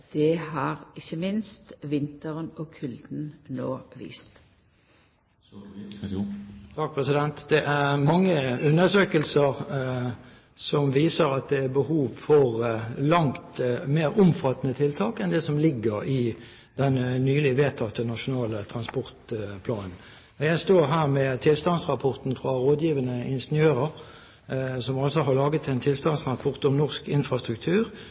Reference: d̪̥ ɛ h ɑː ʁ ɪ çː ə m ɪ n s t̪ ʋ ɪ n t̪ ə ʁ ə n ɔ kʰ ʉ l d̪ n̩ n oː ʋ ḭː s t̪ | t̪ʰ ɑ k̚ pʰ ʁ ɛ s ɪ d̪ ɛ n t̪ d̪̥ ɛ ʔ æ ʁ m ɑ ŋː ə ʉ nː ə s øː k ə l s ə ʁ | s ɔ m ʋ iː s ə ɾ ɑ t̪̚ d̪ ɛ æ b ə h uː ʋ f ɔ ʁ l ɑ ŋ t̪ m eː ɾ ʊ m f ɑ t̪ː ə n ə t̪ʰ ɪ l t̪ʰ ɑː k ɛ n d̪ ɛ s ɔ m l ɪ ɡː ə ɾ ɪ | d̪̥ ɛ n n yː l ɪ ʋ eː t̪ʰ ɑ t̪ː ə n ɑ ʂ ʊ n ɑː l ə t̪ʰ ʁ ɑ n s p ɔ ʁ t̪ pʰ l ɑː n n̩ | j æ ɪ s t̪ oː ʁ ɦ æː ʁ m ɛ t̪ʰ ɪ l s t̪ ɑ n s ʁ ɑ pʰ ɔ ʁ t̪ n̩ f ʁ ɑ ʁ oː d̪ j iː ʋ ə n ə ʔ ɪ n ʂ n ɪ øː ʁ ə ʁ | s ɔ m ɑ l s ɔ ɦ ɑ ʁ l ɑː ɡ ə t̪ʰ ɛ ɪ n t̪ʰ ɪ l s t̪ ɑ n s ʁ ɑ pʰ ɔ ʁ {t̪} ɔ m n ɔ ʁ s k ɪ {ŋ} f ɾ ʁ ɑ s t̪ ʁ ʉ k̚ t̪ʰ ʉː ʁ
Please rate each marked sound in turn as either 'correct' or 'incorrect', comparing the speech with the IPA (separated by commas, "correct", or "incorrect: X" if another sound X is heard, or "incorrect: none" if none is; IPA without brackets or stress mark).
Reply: correct, incorrect: n